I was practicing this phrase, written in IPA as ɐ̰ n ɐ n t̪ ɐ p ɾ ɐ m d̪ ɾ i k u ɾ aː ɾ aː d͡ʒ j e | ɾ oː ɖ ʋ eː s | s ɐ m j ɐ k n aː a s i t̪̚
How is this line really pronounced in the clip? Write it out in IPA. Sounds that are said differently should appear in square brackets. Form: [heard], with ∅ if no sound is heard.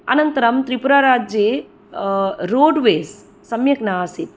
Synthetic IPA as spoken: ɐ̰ n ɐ n t̪ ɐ [∅] ɾ ɐ m [t̪] ɾ i [p] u ɾ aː ɾ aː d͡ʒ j e | ɾ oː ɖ ʋ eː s | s ɐ m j ɐ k n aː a s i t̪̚